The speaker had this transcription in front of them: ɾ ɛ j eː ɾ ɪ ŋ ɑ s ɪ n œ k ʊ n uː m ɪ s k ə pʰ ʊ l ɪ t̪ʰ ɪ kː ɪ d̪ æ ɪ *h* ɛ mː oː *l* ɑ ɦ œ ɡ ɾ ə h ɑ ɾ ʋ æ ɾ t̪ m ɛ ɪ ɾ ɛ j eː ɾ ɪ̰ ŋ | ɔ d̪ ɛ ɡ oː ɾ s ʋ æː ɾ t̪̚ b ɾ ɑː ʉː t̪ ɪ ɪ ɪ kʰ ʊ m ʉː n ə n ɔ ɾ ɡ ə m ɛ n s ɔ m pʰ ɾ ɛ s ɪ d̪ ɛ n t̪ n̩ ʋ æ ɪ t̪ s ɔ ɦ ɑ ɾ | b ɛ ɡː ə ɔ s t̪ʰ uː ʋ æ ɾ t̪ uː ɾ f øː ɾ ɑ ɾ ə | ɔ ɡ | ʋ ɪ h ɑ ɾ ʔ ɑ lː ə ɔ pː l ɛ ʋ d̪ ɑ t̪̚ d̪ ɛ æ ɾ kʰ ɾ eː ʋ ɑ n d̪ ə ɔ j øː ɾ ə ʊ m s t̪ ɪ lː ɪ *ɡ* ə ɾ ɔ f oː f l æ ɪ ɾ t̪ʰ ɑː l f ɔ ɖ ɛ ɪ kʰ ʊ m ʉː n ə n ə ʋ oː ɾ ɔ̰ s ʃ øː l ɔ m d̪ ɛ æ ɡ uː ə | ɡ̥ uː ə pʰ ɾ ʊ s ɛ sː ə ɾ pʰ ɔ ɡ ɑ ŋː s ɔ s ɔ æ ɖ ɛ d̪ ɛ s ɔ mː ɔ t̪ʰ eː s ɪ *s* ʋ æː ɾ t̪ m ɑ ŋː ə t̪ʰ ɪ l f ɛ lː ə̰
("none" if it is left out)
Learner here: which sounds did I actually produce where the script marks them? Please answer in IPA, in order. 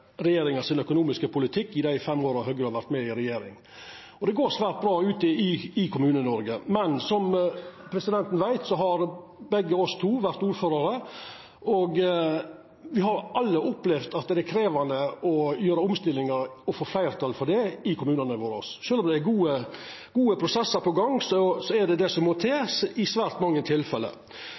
f, ɾ, ŋ, s

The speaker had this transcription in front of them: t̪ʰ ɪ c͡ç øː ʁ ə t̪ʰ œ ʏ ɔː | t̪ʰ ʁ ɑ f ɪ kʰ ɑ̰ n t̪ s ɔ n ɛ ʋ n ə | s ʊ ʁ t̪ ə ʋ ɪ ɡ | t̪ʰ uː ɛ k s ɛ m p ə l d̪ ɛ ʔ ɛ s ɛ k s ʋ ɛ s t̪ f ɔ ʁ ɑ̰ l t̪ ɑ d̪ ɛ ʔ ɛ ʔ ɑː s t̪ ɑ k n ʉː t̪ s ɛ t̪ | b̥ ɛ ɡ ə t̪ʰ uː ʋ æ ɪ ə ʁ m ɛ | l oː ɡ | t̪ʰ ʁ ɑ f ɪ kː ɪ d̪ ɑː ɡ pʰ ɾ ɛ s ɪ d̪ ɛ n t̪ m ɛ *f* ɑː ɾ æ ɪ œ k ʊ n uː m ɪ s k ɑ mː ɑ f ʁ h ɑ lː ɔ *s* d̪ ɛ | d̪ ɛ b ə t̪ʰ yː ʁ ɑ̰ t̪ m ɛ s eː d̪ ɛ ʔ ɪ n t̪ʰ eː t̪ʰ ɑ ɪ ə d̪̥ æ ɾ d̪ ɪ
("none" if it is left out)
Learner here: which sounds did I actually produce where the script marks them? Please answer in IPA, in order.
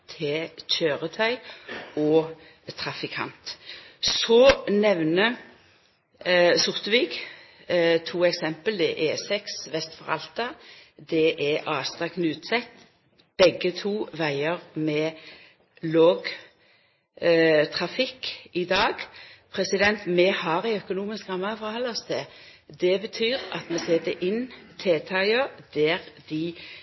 h, s

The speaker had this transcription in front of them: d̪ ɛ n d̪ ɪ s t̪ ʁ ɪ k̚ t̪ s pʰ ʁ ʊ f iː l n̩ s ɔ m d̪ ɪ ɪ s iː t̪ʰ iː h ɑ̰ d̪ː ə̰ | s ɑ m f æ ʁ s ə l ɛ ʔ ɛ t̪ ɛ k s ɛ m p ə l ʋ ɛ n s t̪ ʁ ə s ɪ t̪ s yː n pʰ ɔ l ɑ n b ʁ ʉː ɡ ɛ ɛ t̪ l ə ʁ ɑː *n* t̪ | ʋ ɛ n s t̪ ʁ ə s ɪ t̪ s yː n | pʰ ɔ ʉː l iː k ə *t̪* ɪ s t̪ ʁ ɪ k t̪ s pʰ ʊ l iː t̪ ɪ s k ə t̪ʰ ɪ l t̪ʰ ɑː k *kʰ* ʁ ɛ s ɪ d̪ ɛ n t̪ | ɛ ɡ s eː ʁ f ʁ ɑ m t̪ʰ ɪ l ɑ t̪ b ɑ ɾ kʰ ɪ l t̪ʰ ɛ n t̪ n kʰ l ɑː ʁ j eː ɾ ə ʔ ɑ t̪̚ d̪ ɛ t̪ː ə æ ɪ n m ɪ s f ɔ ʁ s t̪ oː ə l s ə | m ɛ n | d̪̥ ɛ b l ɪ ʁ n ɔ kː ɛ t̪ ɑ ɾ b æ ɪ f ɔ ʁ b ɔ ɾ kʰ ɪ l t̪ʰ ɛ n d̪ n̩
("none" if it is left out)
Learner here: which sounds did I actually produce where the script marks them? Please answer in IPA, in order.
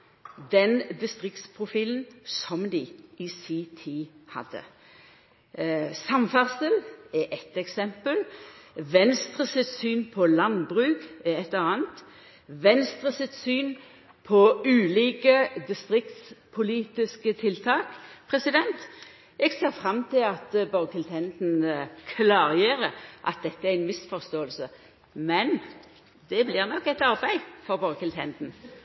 n, d̪, pʰ

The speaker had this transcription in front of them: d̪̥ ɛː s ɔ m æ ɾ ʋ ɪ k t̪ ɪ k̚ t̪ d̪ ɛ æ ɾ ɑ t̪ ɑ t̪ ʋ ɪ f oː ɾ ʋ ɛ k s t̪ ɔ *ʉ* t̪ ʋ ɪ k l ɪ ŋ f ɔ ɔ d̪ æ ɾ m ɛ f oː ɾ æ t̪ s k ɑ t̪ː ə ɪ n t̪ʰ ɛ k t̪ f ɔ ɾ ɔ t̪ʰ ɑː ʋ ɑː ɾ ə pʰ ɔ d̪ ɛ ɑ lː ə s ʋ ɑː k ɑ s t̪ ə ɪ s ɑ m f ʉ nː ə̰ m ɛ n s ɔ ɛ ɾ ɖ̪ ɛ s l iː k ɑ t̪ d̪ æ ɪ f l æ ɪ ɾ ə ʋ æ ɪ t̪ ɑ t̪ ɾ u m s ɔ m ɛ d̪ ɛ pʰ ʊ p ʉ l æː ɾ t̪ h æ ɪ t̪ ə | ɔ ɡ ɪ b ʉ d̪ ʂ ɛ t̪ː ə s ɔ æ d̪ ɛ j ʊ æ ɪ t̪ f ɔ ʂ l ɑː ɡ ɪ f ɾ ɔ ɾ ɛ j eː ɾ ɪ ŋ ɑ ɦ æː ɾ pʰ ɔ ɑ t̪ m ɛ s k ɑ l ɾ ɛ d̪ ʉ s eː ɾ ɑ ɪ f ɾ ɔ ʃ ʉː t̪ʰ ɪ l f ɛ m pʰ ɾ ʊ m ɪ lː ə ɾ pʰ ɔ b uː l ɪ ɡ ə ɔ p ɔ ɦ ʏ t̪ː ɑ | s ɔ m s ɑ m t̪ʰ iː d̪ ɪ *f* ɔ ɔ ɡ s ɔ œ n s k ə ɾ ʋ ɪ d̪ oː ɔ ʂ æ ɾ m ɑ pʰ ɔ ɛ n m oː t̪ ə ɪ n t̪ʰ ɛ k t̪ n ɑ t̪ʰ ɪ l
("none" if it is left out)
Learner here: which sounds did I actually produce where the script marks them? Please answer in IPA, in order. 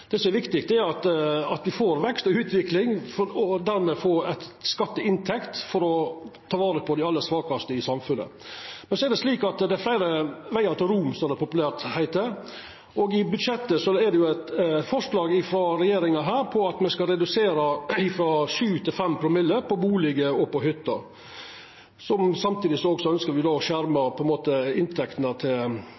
ʉː, s

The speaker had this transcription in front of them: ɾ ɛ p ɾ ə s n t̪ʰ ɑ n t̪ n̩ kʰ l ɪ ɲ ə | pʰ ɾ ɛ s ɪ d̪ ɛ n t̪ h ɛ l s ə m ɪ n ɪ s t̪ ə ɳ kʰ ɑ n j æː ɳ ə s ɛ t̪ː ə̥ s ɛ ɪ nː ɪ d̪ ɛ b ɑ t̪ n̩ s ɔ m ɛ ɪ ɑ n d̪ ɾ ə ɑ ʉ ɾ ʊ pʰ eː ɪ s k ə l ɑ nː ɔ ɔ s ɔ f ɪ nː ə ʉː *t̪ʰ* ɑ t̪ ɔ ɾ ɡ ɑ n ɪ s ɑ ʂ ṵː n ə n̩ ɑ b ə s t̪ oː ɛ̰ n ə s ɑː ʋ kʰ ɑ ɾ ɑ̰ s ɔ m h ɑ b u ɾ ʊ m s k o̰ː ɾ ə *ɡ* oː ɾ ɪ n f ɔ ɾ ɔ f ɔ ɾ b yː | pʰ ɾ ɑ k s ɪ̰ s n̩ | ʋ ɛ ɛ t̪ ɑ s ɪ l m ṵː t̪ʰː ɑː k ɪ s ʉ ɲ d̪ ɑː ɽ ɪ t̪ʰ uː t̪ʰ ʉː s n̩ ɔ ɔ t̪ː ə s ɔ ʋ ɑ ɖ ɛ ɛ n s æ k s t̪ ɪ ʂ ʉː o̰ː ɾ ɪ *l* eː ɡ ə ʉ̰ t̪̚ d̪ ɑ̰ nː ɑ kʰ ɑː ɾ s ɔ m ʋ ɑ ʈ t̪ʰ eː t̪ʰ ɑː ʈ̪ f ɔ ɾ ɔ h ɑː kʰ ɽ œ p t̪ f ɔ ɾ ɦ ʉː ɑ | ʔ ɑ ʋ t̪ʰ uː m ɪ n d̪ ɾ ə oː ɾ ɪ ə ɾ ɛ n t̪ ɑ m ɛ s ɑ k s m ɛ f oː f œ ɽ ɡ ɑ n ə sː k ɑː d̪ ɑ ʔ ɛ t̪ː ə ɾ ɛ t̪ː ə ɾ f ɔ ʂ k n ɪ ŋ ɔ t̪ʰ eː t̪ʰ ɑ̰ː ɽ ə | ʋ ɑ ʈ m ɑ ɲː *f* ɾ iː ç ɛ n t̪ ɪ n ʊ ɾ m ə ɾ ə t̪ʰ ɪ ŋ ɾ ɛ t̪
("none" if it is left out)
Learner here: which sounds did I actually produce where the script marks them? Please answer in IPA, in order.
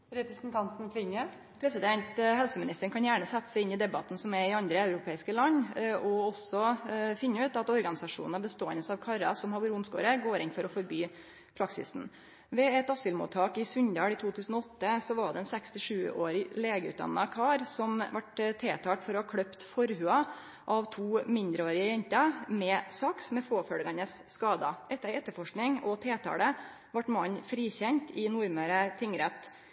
t̪, ɡ, l, f

